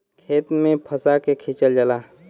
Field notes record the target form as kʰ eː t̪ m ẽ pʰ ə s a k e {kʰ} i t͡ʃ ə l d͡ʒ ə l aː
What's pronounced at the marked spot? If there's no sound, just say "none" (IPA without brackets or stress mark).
kʰ